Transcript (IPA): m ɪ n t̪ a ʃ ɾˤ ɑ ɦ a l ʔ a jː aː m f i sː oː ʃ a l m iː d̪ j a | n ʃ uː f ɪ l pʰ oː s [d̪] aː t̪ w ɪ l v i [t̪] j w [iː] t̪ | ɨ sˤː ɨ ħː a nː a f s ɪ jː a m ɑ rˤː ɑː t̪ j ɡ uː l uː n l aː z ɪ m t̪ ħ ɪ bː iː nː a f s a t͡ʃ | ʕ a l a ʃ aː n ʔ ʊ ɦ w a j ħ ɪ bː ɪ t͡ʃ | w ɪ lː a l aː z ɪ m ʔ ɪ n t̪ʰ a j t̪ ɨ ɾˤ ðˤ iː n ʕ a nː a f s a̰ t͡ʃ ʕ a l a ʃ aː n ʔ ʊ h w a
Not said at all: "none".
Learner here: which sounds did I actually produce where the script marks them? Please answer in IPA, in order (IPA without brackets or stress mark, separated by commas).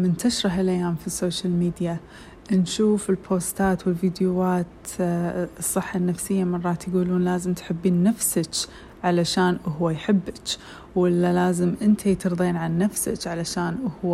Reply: t̪, d̪, aː